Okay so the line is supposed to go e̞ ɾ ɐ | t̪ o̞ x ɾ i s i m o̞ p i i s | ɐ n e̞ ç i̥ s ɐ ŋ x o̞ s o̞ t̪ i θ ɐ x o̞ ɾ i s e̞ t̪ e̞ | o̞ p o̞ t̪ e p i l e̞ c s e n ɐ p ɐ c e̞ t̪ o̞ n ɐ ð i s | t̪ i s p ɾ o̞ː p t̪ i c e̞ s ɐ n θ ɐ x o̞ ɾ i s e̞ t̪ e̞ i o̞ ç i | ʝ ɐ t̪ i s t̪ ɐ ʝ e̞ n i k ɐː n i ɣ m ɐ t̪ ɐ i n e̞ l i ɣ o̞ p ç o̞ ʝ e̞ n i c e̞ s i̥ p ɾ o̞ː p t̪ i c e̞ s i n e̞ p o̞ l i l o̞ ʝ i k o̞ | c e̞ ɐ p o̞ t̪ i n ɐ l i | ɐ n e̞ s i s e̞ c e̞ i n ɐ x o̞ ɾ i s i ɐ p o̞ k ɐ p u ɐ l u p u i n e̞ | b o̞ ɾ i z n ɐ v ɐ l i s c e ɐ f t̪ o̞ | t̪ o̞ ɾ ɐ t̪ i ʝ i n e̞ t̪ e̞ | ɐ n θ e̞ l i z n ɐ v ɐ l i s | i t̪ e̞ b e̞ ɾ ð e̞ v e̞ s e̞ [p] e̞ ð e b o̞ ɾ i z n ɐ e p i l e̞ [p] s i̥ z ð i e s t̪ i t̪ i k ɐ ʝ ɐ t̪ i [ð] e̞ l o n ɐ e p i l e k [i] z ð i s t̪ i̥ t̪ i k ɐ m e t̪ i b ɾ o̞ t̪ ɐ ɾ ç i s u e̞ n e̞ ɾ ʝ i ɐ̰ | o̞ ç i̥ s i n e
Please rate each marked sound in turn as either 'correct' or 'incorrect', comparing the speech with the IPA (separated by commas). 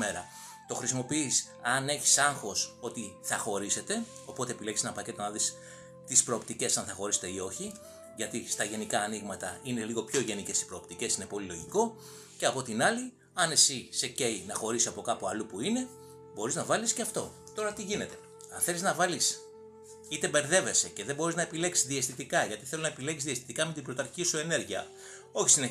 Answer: incorrect, incorrect, incorrect, correct